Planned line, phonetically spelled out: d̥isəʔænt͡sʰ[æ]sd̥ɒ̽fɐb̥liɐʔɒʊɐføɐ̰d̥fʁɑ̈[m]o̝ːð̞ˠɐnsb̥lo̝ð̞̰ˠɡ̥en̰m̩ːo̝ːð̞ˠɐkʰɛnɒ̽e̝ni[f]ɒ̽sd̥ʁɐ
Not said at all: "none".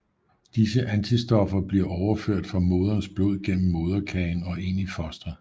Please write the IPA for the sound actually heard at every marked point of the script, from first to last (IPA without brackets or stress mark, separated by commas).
i, m, f